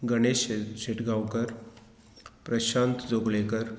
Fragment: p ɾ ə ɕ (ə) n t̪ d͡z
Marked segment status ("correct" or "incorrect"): incorrect